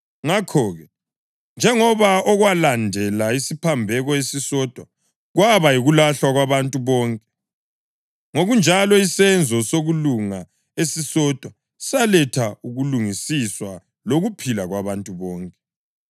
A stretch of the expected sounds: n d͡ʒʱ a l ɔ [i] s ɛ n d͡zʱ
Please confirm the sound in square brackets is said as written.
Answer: yes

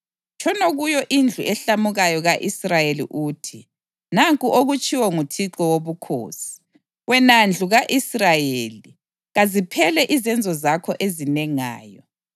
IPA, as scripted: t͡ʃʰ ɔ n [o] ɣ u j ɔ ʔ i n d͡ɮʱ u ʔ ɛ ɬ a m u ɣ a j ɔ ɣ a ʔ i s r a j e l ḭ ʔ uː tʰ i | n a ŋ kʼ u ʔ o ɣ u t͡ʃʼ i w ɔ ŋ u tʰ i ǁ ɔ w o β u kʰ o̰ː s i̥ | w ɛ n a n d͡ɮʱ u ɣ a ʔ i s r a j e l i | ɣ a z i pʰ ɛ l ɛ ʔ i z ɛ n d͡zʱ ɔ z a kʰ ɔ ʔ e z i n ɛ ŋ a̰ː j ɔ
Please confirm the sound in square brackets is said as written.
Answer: yes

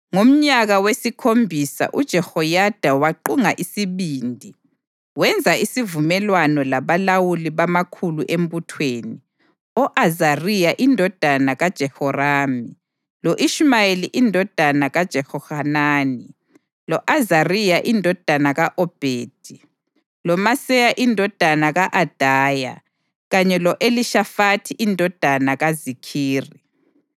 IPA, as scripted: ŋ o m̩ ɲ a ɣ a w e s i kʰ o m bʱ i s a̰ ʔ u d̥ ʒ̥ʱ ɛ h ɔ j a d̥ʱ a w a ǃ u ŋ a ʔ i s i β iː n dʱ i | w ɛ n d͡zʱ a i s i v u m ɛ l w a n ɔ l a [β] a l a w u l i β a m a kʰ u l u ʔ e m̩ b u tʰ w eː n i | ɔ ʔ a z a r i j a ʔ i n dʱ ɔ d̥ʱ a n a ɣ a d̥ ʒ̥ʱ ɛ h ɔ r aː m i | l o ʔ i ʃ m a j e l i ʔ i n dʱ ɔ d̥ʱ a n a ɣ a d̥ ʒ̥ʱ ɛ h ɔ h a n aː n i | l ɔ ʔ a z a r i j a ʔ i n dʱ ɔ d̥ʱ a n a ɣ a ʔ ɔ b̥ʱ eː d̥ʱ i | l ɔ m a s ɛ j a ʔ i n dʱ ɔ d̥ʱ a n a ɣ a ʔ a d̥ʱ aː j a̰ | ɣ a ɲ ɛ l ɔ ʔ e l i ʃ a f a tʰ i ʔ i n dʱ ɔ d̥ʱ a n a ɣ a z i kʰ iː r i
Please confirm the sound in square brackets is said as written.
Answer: yes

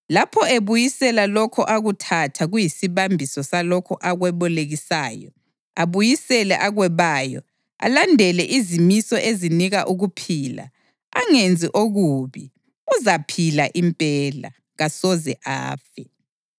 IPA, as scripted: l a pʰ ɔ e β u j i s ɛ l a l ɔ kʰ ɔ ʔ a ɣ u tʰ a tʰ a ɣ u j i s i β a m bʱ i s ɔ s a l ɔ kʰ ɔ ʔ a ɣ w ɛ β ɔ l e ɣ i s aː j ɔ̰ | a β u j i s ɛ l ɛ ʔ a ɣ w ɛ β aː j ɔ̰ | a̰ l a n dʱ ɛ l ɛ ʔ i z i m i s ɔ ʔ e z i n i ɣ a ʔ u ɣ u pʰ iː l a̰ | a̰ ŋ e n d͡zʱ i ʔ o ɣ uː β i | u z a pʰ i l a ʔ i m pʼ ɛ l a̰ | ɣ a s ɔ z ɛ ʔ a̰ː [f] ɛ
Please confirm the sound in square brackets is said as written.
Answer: yes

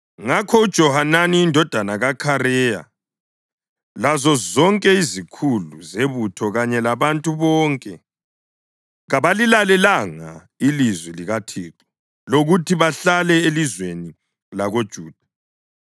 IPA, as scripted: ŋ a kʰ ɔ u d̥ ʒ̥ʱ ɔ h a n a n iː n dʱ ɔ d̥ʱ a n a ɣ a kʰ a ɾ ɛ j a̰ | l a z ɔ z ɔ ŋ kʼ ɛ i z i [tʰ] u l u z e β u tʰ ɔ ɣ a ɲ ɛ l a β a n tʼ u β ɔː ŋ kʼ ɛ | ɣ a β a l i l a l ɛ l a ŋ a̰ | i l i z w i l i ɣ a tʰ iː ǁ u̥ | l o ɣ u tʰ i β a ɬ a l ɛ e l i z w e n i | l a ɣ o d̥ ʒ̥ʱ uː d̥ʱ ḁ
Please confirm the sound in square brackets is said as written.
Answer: no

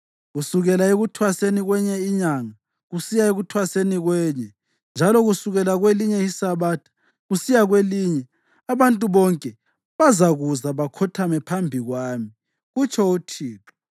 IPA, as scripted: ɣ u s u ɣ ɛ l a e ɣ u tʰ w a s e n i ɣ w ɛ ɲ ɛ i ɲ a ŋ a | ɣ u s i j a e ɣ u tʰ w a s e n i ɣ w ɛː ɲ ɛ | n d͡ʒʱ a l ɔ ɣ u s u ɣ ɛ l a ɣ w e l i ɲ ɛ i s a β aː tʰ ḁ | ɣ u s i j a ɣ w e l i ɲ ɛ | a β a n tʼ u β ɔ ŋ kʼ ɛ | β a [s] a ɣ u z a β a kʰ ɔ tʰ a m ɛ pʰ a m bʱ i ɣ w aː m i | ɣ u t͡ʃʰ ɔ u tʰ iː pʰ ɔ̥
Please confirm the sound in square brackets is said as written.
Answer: no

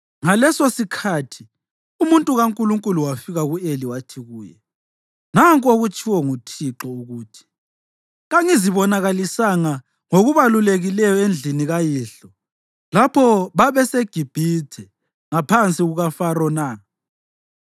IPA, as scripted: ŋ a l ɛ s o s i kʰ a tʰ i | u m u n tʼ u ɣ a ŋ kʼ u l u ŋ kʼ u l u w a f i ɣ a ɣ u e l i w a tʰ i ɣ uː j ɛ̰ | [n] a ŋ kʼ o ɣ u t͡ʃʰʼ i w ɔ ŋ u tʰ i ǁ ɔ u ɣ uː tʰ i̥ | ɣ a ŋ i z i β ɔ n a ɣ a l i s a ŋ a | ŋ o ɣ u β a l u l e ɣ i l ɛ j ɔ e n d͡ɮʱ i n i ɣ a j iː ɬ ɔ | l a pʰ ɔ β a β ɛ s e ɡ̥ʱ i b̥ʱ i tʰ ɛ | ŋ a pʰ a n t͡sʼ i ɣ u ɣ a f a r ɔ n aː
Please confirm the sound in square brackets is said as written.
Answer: yes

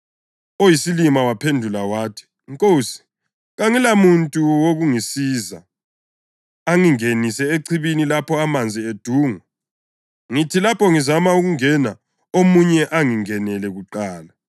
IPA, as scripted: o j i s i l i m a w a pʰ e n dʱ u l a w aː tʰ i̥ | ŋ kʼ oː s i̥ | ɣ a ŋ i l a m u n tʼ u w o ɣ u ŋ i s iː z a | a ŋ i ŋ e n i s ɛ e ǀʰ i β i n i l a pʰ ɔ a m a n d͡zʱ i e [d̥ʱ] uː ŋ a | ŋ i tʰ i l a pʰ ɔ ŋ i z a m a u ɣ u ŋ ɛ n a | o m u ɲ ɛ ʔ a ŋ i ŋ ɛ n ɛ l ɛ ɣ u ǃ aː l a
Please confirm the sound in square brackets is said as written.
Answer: yes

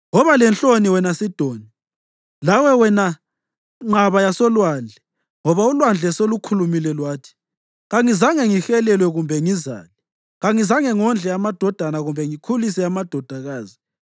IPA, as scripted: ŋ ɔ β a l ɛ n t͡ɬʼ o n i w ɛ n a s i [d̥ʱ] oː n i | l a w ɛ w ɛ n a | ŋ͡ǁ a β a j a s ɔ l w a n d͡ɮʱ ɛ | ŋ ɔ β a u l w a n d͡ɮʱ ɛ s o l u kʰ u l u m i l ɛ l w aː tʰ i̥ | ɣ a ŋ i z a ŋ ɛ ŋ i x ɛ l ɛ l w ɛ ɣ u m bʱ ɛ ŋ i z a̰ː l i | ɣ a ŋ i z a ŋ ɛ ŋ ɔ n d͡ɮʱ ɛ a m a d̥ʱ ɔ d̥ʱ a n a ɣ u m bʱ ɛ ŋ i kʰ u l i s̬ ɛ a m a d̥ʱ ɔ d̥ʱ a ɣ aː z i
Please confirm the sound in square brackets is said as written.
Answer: yes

